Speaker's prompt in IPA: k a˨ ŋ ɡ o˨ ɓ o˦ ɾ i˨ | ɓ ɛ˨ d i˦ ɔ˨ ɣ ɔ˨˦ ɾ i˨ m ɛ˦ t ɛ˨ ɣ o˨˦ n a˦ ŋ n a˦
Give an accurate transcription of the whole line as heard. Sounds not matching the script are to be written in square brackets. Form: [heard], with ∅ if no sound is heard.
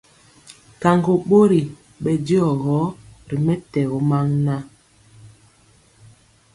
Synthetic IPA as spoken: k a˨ ŋ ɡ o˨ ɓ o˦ ɾ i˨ | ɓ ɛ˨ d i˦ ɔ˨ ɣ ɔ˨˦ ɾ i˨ m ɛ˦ t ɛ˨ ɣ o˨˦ [m] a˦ ŋ n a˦